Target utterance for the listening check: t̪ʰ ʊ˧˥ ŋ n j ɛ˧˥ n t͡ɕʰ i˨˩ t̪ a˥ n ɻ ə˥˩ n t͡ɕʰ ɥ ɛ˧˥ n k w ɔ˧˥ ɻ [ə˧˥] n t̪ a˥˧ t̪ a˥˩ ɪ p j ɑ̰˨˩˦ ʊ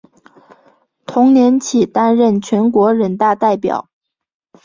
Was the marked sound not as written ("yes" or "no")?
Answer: yes